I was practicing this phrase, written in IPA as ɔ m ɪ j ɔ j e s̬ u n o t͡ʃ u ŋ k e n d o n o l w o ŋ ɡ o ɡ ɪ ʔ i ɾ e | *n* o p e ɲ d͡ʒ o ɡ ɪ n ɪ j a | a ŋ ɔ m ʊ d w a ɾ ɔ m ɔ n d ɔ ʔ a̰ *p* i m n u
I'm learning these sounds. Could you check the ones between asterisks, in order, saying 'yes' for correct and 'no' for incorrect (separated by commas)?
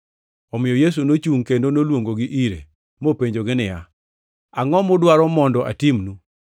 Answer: no, no